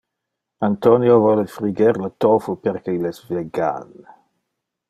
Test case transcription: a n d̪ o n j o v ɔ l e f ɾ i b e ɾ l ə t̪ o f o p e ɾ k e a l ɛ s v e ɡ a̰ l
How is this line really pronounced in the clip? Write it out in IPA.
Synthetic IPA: a n t̪ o n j o v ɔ l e f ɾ i ɡ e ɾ l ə t̪ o f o p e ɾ k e i l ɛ s v e ɡ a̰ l